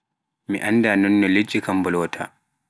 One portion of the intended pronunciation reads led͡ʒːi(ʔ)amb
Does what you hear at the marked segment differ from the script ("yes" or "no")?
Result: yes